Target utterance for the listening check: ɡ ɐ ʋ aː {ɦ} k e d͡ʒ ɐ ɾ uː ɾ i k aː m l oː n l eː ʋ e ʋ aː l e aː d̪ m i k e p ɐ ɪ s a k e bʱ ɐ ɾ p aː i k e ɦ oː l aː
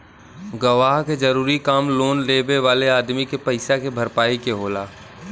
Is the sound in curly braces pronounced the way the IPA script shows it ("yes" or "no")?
yes